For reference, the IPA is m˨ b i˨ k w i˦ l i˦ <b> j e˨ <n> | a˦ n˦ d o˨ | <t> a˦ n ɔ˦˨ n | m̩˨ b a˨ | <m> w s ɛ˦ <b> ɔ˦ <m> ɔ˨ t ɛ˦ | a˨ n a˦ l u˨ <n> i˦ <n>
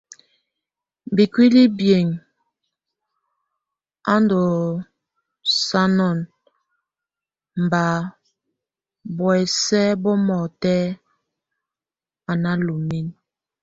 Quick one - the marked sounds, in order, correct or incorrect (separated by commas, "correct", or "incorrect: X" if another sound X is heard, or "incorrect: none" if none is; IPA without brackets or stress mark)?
correct, incorrect: ŋ, incorrect: s, incorrect: b, correct, correct, incorrect: m, correct